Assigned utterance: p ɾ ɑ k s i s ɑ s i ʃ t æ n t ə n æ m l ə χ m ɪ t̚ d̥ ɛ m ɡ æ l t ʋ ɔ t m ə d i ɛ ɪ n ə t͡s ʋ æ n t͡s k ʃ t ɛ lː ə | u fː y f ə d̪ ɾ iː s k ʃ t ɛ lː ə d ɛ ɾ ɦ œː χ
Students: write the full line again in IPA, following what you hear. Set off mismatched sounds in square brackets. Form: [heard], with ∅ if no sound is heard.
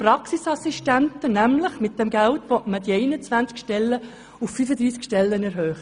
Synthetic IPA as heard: p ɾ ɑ k s i s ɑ s i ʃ t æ n t ə n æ m l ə χ m ɪ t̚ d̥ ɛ m ɡ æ l t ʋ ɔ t m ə d i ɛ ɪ n ə t͡s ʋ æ n t͡s k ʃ t ɛ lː ə | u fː y f ə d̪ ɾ iː s k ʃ t ɛ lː ə [n] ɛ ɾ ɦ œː χ